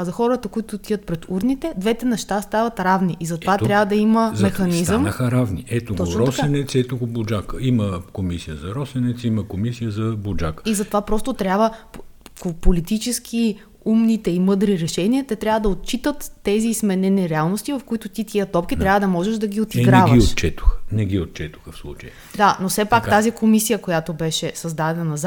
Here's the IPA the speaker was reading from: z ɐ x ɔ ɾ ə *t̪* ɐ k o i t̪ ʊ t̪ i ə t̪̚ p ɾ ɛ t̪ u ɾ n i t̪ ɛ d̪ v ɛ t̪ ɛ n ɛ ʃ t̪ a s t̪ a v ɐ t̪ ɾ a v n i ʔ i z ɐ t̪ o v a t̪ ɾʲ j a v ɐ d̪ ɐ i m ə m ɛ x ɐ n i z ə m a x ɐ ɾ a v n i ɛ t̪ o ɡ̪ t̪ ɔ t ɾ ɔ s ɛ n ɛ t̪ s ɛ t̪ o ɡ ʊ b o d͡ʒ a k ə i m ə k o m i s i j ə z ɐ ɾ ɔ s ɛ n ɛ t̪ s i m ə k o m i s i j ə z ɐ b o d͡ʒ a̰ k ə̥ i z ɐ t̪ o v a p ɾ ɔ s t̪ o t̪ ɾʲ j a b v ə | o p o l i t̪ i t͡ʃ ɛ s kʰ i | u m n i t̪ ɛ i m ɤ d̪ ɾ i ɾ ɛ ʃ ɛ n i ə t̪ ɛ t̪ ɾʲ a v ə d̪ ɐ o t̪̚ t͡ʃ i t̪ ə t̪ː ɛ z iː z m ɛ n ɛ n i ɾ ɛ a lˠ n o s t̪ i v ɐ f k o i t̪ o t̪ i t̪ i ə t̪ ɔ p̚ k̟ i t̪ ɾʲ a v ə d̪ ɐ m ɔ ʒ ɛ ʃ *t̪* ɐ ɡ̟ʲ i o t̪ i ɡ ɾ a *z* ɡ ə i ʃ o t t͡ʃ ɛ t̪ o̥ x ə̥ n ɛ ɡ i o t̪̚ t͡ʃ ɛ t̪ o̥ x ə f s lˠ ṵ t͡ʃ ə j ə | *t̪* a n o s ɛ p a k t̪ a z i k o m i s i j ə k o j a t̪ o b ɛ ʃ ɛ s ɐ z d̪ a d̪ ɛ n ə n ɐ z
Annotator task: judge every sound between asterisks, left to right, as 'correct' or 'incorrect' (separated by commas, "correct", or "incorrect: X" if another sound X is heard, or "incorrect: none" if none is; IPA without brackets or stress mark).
correct, incorrect: d̪, incorrect: v, incorrect: d̪